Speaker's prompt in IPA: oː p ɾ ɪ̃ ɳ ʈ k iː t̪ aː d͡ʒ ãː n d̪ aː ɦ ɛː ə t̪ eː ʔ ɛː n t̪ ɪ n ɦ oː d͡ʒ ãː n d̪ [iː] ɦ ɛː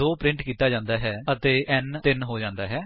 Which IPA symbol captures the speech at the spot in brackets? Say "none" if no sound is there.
aː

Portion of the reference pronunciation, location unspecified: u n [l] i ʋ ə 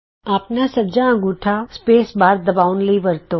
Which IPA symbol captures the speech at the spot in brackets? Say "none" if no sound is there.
l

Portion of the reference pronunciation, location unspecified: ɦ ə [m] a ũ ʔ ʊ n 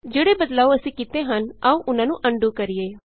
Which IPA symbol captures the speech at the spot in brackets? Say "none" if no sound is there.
n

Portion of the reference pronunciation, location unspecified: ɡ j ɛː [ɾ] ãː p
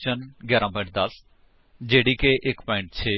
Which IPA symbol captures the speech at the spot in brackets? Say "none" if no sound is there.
ɾ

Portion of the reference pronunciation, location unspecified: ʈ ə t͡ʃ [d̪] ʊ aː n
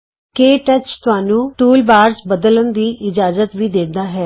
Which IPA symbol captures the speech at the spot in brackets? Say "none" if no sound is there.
t̪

